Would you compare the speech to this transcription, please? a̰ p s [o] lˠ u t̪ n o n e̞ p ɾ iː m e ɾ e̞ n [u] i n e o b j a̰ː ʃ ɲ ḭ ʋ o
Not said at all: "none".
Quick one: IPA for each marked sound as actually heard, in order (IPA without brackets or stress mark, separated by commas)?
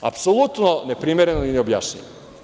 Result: o, o